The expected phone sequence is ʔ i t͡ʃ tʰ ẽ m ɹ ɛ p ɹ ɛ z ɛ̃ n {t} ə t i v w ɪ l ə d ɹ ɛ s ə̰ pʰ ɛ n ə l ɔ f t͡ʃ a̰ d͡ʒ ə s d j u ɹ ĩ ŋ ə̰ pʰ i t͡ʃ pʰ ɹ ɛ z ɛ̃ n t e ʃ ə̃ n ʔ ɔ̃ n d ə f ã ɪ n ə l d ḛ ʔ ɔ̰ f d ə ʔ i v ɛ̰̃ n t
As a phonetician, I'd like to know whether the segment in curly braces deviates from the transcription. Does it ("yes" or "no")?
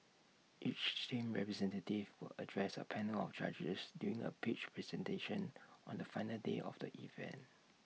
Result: no